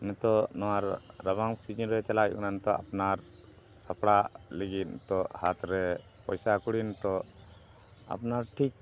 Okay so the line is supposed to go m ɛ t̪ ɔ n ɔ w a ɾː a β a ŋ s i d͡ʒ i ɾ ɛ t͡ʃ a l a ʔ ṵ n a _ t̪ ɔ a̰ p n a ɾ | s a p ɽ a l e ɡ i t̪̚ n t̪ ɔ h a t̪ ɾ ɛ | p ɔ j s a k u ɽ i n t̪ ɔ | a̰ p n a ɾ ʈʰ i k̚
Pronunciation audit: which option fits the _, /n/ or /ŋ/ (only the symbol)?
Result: n